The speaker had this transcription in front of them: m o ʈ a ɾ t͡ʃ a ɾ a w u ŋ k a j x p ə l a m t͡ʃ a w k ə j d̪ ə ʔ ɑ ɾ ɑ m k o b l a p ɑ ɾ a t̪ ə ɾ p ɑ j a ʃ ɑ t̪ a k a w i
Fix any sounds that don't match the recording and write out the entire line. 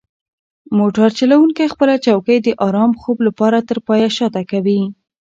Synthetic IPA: m o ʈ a ɾ t͡ʃ a l a w u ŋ k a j x p ə l a t͡ʃ a w k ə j d̪ ə ʔ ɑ ɾ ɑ m x o b l a p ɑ ɾ a t̪ ə ɾ p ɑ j a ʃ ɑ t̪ a k a w i